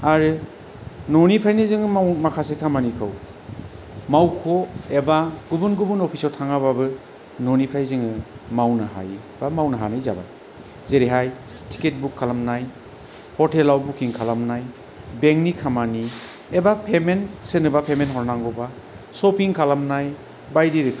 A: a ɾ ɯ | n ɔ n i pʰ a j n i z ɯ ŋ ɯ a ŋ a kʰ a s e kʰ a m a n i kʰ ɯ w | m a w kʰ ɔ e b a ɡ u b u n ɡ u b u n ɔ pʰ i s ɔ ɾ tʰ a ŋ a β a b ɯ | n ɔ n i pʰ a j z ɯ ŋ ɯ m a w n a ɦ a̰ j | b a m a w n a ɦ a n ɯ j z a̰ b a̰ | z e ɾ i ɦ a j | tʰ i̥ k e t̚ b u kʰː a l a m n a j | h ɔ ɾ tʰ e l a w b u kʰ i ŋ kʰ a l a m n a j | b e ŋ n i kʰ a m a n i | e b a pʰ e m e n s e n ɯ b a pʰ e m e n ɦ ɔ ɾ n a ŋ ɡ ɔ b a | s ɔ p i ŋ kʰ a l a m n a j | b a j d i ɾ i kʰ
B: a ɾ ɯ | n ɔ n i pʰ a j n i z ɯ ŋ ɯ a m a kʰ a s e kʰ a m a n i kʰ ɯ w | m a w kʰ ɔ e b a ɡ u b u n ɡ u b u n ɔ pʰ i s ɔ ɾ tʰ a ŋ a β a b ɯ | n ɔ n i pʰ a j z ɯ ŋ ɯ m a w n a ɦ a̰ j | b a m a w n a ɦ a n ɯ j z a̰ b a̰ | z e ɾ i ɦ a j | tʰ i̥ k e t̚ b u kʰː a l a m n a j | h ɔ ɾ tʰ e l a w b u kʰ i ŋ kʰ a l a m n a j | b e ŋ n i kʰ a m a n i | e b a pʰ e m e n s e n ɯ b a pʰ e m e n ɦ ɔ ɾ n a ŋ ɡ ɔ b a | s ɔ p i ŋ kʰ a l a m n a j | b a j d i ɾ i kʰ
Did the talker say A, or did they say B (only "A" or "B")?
B